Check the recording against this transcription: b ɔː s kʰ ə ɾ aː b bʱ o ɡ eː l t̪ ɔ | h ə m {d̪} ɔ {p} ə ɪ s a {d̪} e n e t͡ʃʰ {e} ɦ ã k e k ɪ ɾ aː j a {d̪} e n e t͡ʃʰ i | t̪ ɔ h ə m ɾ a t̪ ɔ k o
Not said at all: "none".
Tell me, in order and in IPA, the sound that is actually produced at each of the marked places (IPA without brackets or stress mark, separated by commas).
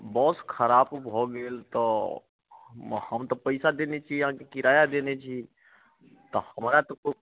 t̪, p, d̪, i, d̪